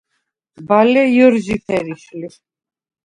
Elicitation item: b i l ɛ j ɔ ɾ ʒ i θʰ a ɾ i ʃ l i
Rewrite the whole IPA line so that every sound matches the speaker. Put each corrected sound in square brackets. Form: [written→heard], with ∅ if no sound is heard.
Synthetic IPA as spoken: b [i→a] l ɛ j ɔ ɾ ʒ i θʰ [a→ɛ] ɾ i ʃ l i